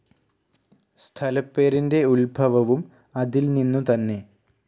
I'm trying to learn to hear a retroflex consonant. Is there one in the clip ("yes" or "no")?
no